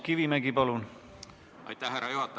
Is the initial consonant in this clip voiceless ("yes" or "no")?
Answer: yes